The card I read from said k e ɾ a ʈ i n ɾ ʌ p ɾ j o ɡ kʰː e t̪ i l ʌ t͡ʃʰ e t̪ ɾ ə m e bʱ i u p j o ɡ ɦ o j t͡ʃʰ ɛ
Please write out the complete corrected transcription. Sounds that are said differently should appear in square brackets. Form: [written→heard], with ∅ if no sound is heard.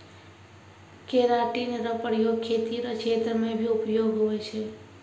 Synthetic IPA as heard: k e ɾ a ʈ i n ɾ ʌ p ɾ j o ɡ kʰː e t̪ i [l→ɾ] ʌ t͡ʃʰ e t̪ ɾ ə m e bʱ i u p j o ɡ ɦ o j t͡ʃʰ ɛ